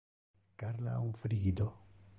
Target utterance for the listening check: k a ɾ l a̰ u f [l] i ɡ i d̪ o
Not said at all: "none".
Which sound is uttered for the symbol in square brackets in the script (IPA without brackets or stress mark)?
ɾ